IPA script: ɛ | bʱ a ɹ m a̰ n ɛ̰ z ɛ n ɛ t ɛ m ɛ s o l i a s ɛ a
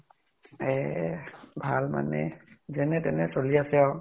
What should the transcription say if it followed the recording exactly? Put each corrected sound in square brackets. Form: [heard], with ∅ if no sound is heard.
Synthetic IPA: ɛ | bʱ a [l] m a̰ n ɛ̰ z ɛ n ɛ t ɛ [n] ɛ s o l i a s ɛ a